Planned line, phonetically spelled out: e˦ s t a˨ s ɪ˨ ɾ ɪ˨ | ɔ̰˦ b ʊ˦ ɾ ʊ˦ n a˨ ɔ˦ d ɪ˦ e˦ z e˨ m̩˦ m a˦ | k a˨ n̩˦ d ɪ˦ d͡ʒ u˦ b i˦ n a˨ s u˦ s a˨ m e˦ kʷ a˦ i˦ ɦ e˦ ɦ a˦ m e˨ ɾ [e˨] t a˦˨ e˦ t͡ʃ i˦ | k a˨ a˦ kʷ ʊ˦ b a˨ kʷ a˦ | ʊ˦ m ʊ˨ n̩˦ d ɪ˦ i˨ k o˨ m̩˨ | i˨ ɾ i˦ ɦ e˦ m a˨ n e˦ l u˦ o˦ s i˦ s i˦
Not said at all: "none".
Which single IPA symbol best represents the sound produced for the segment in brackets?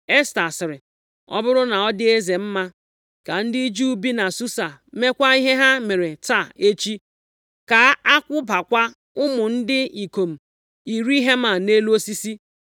e˨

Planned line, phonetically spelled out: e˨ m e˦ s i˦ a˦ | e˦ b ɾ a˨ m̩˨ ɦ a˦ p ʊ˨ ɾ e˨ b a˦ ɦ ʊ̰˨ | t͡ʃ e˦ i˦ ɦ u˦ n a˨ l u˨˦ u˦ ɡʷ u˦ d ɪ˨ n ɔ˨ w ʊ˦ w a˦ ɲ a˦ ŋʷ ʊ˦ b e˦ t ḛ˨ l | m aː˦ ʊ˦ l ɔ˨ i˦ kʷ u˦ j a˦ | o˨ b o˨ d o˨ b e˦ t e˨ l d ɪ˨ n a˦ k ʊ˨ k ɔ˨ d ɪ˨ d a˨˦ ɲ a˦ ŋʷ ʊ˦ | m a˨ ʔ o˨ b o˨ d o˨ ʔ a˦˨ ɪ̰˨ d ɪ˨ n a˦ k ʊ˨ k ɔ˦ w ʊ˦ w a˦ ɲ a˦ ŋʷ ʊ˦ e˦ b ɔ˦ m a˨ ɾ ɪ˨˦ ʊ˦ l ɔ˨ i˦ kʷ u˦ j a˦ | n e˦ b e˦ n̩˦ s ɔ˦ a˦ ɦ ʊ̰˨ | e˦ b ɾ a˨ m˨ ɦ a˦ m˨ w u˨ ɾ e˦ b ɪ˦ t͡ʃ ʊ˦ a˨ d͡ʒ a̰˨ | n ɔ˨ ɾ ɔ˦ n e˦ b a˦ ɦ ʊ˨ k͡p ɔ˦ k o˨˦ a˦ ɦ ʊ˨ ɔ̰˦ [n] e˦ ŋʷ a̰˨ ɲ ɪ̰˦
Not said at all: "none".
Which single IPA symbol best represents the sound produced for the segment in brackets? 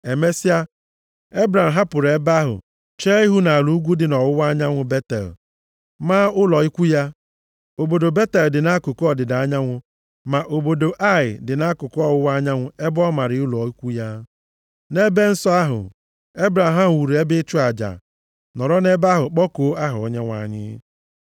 ɲ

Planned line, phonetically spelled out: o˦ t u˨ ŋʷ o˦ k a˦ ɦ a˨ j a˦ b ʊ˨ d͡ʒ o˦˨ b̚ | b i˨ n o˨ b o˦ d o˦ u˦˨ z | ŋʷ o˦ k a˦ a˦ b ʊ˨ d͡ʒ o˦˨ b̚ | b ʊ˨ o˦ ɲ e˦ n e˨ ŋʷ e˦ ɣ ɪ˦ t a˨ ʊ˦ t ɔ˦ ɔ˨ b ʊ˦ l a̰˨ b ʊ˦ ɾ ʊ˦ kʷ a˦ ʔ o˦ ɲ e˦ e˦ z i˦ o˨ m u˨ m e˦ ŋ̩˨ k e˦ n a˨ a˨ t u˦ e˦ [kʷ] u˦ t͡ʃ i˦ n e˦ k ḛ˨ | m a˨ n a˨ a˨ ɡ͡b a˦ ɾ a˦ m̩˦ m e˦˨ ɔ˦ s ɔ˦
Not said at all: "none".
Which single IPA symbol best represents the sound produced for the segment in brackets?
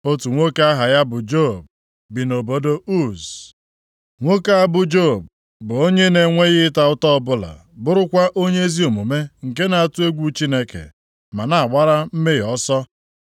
ɡʷ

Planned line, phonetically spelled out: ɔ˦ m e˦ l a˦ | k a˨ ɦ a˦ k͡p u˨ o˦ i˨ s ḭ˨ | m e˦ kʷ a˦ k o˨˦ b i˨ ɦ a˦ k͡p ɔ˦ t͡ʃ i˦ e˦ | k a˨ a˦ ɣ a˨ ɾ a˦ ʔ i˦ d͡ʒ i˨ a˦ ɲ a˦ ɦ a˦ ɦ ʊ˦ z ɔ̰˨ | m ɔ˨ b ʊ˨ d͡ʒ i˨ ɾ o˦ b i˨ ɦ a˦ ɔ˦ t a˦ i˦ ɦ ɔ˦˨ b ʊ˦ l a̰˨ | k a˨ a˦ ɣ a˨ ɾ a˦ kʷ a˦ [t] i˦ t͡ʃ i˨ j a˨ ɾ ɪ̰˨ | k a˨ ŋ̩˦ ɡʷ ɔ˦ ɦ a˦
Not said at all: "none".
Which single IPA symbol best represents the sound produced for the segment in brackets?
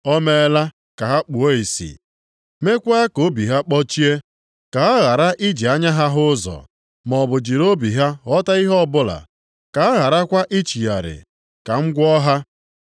ʔ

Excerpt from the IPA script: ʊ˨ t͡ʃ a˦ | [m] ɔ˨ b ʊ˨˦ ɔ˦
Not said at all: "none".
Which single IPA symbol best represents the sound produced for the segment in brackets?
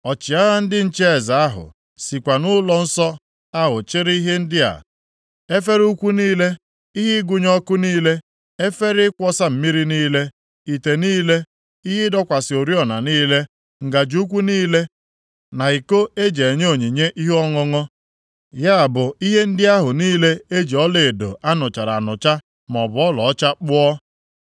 m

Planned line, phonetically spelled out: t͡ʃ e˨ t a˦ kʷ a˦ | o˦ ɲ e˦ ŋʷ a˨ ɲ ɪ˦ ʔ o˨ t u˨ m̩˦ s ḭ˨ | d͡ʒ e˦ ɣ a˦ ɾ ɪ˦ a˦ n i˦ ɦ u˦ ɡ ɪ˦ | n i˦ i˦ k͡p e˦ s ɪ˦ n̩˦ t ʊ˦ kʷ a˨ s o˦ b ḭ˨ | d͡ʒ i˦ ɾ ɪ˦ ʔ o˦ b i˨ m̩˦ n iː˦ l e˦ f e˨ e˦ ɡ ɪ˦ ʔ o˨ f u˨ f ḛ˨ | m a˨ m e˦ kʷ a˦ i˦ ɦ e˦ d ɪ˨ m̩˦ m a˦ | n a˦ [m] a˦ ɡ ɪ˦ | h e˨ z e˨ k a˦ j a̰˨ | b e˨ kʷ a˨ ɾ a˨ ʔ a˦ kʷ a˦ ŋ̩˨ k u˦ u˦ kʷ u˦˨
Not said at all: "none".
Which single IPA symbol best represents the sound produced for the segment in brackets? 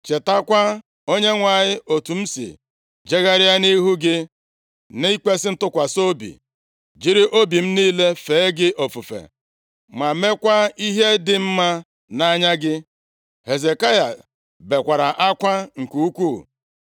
ɲ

